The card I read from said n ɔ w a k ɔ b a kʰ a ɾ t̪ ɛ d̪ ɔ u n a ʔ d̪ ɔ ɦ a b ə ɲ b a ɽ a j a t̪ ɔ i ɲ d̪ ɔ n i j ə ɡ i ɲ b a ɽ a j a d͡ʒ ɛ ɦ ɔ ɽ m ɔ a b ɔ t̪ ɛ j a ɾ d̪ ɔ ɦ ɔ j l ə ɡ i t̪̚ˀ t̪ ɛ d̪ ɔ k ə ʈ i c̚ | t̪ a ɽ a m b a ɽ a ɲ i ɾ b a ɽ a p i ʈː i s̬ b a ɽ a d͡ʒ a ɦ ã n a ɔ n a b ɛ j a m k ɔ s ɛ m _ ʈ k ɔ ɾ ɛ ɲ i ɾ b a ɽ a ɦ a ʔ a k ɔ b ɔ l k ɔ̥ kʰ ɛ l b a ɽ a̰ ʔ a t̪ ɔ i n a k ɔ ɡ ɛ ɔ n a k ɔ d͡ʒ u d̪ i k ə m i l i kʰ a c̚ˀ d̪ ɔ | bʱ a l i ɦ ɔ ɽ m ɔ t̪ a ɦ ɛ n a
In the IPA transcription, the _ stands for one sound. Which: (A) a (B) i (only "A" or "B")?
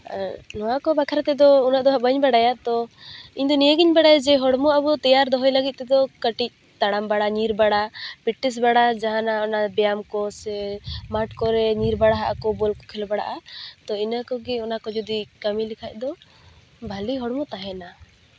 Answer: A